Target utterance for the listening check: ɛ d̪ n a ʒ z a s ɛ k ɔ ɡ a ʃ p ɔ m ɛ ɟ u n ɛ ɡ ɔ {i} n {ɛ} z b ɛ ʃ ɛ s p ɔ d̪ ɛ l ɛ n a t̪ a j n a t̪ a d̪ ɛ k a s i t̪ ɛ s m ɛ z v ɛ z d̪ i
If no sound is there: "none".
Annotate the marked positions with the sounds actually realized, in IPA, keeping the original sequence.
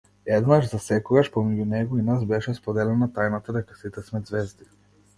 i, a

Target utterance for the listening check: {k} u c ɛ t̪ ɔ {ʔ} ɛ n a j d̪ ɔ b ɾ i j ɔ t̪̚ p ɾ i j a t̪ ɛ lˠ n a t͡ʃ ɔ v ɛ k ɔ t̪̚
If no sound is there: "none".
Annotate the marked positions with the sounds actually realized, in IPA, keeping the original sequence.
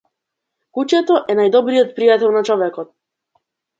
k, ʔ

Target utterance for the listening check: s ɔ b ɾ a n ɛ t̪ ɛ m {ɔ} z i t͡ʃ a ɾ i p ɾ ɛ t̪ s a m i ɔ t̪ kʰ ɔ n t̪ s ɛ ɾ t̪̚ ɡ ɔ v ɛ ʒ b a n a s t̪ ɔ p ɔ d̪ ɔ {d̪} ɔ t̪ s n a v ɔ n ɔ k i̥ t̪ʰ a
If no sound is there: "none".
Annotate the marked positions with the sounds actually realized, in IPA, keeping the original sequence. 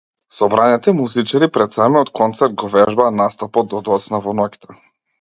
u, d̪

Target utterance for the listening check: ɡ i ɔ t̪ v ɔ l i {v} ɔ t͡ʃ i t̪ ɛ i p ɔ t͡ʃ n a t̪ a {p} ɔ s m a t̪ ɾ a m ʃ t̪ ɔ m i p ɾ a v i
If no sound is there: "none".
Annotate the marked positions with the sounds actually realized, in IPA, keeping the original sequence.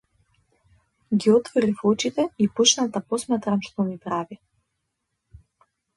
f, p

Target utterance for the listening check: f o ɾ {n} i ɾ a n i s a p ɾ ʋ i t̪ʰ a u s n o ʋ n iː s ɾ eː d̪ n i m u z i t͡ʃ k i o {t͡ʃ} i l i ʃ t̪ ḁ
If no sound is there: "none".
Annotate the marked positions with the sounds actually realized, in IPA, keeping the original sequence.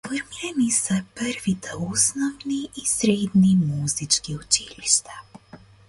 m, t͡ʃ

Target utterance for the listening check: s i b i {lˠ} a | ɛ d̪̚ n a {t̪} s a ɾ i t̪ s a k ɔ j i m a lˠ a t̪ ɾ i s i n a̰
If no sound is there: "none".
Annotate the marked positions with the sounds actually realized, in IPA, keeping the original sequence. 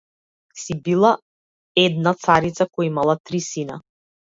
lˠ, t̪

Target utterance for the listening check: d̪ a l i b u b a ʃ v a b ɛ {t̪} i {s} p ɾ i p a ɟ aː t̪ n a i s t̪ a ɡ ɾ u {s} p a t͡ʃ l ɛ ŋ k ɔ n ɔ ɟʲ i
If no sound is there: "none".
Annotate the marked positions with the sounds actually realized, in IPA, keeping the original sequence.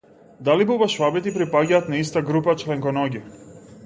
t̪, none, none

